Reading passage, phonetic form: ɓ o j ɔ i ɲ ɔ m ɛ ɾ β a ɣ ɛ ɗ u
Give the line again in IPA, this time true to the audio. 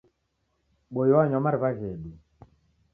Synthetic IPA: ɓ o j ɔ a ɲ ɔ m a ɾ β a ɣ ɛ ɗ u